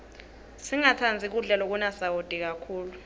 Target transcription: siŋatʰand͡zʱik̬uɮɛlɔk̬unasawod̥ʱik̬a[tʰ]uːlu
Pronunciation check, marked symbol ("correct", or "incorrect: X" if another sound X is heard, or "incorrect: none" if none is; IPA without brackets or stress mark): incorrect: kʰ